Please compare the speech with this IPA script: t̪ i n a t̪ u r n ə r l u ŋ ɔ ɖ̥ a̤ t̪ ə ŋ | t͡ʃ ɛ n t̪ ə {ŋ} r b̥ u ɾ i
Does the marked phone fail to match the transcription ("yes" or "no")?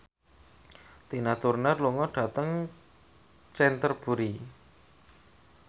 yes